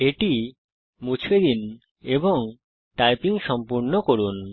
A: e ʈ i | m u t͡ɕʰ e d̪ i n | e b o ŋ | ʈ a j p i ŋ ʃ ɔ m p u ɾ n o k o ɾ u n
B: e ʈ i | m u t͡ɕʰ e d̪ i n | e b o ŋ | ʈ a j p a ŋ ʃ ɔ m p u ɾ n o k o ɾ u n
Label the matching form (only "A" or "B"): A